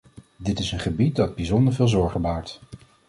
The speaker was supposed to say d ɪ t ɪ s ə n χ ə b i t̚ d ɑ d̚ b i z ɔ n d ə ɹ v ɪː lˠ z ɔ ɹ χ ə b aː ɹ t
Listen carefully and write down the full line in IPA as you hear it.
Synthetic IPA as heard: d ɪ t ɪ s ə n χ ə b i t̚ d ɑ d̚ b i z ɔ n d ə ɹ v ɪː lˠ z ɔ ɹ χ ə b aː ɹ t